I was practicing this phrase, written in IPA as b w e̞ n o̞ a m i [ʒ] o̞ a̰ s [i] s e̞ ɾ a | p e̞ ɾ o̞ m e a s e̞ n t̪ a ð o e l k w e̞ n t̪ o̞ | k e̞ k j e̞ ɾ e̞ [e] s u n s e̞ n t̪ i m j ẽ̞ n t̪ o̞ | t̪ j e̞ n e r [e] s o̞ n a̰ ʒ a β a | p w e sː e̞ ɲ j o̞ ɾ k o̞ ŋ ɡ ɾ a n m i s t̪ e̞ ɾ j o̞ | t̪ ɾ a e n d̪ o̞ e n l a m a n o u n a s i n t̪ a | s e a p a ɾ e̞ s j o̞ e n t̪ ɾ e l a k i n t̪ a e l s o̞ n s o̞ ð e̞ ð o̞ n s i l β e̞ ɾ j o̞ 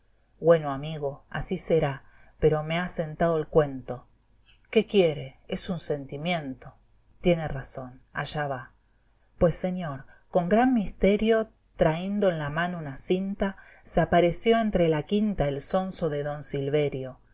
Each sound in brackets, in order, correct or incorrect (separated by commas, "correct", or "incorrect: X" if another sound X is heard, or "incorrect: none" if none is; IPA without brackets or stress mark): incorrect: ɣ, correct, correct, incorrect: a